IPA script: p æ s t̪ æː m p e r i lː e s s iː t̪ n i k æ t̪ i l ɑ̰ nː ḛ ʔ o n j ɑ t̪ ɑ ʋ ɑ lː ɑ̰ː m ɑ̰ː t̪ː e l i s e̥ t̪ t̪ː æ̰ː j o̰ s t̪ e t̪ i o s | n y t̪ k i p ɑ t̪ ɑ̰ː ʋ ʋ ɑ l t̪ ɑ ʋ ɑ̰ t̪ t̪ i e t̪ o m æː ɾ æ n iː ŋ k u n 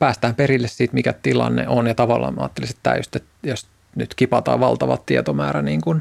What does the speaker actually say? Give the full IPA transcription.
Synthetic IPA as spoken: p æː s t̪ æː m p e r i lː e s s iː t̪ m i k æ t̪ i l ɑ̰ nː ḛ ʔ o n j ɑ t̪ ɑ ʋ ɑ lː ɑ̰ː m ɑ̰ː t̪ː e l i s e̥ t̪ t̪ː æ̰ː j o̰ s t̪ e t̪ j o s | n y t̪ k i p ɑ t̪ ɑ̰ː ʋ ʋ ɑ l t̪ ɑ ʋ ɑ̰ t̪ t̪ i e t̪ o m æː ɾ æ n iː ŋ k u n